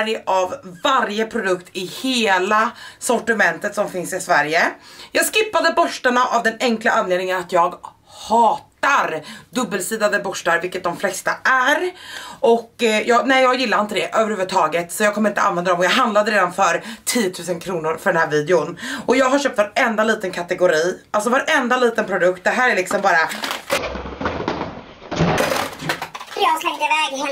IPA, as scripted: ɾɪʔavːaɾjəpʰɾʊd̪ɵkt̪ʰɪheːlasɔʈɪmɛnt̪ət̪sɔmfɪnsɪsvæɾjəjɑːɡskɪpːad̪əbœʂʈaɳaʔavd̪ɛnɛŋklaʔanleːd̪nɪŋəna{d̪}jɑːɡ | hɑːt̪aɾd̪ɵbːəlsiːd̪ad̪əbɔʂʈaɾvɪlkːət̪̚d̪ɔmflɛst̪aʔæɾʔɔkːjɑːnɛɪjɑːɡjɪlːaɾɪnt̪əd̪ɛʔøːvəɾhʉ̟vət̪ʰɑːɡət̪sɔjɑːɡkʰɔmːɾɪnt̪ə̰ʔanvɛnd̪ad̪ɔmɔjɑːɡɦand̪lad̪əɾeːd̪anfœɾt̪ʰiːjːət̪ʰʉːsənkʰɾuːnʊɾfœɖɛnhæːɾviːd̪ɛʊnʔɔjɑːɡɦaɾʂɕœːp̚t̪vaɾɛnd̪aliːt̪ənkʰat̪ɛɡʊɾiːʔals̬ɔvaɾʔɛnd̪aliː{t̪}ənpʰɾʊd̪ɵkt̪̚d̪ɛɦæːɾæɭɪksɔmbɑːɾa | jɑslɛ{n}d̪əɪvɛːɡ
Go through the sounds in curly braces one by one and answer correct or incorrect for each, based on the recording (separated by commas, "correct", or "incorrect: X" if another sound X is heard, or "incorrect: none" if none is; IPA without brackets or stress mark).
incorrect: t̪, correct, incorrect: ŋ